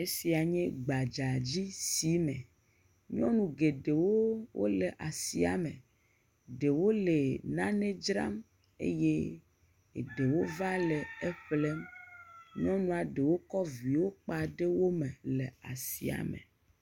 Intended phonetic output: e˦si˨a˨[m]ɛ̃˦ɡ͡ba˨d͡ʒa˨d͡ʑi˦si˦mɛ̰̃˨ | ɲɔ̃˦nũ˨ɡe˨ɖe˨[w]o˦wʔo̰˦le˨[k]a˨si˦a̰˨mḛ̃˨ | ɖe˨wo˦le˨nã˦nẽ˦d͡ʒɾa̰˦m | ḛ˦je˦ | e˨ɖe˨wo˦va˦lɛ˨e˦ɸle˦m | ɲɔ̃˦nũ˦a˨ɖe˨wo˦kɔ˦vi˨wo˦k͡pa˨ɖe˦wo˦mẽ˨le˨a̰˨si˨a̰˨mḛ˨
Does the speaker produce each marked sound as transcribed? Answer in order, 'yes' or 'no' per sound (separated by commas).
no, yes, no